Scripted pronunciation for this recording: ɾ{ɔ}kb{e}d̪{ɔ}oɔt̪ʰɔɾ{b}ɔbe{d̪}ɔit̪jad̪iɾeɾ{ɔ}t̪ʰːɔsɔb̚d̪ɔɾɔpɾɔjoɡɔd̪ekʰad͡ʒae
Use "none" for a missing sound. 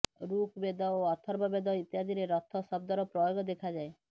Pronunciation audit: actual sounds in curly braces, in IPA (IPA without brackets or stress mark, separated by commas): u, e, ɔ, b, d̪, ɔ